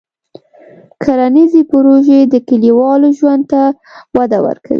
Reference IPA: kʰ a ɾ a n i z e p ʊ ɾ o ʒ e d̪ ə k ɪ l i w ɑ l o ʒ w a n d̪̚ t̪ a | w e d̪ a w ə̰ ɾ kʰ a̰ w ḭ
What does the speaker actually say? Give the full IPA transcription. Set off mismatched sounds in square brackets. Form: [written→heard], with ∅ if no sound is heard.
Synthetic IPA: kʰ a ɾ a n i z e p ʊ ɾ o ʒ e d̪ ə k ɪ l i w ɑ l o ʒ w a n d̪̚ t̪ a | w [e→a] d̪ a w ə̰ ɾ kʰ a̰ w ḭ